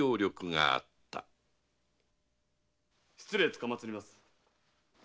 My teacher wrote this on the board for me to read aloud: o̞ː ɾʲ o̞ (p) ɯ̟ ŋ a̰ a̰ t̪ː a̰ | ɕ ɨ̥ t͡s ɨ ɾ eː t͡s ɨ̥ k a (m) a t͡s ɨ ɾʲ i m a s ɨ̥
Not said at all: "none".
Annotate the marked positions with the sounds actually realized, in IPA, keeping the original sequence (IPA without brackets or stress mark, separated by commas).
k, m